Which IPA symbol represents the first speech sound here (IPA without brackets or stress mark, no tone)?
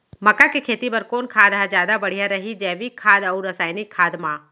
m